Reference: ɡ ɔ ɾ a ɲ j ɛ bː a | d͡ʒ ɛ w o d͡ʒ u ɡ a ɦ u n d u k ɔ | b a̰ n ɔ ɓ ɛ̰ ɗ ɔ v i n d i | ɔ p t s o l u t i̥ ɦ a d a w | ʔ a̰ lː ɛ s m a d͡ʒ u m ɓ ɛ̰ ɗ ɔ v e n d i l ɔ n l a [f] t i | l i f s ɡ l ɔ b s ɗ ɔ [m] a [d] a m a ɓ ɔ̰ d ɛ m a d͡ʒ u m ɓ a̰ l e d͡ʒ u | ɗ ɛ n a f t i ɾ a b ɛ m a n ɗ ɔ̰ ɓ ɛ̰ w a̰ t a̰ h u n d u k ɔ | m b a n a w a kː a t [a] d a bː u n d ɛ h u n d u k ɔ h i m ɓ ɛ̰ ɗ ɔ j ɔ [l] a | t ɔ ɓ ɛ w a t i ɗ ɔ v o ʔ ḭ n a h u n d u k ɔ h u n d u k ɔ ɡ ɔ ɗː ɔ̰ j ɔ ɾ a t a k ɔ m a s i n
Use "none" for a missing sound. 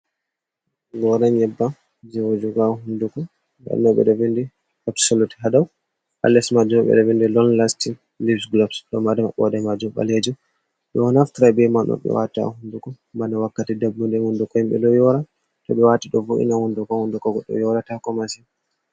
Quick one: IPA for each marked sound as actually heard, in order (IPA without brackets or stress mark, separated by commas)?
s, m, d, i, ɾ